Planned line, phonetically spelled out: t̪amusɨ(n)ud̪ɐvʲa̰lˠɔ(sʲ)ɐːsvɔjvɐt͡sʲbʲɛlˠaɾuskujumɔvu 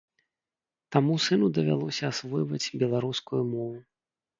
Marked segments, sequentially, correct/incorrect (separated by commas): correct, correct